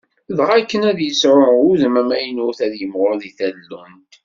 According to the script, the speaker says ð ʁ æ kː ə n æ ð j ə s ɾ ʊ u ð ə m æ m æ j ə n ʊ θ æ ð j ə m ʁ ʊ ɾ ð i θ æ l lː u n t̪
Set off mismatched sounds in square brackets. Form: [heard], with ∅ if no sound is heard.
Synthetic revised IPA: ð ʁ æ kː ə n æ ð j ə s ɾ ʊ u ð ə m æ m æ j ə n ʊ θ æ ð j ə m ʁ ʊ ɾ ð i θ æ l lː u n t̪